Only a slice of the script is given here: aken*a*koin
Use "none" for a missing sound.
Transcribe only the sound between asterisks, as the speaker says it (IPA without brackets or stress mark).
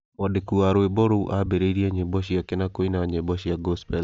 a